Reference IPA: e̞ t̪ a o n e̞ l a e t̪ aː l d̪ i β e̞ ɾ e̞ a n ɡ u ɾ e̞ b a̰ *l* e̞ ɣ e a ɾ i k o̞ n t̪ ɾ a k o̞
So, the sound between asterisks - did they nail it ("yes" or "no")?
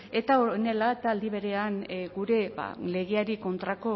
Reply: yes